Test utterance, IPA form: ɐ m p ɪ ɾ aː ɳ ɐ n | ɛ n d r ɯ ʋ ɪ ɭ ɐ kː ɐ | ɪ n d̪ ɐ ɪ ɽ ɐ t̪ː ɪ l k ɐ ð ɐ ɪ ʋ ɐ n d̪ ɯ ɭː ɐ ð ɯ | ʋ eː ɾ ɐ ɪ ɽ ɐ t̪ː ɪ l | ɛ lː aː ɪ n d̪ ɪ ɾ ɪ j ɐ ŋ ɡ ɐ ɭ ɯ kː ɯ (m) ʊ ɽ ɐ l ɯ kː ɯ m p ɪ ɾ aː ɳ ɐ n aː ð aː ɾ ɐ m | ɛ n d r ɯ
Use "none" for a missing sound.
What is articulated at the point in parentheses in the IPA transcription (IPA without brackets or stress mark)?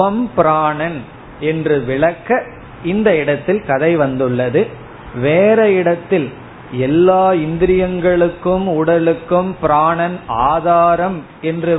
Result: m